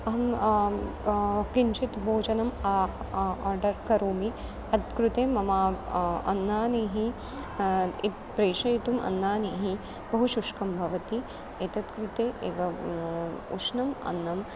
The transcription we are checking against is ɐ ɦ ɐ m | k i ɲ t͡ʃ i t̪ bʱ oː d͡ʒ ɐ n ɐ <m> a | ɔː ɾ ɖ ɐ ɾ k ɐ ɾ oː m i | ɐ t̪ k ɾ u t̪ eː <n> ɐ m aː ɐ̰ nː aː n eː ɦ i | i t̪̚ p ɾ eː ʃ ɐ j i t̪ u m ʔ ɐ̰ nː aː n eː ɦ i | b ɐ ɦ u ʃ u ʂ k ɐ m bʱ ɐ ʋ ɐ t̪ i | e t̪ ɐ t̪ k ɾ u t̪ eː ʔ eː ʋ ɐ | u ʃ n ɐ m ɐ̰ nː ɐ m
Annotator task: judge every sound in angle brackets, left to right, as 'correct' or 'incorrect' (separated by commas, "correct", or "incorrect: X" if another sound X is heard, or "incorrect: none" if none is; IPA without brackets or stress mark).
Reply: correct, incorrect: m